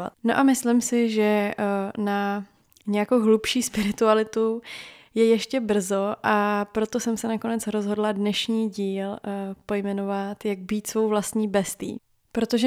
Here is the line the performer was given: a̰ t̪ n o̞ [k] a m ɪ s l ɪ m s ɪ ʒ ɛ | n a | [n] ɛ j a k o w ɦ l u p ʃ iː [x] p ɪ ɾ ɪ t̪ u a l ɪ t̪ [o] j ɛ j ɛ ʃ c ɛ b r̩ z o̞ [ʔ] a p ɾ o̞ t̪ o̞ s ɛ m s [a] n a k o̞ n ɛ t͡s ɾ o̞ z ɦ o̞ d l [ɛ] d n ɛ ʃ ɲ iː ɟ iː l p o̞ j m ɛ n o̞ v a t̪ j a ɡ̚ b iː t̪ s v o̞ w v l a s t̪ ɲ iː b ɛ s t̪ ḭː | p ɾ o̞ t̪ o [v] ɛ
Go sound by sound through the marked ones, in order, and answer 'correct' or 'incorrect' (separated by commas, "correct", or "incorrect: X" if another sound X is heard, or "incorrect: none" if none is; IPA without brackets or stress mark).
incorrect: ʔ, incorrect: ɲ, incorrect: s, incorrect: u, correct, incorrect: ɛ, incorrect: a, incorrect: ʒ